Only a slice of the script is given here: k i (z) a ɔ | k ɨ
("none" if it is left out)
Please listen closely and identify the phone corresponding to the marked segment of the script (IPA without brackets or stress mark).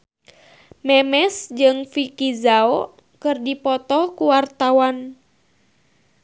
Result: z